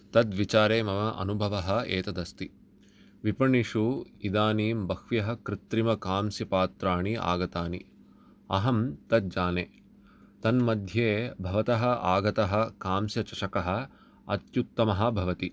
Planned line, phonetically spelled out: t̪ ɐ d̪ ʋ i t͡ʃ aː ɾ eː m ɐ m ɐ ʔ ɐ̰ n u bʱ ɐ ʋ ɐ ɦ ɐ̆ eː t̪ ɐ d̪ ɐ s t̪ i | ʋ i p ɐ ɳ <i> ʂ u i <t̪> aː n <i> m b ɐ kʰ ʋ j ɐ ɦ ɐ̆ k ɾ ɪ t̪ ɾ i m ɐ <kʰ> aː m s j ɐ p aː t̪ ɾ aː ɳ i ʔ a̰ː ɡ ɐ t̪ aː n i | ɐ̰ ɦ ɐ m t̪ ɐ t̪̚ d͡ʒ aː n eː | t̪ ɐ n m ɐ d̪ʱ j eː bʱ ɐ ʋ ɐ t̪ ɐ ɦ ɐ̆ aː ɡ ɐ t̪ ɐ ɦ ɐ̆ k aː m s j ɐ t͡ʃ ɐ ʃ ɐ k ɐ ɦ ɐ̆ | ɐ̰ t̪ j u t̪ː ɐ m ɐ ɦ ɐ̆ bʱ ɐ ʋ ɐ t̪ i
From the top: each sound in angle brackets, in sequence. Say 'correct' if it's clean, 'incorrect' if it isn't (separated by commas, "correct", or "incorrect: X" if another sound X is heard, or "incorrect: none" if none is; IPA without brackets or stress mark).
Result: correct, incorrect: d̪, incorrect: iː, incorrect: k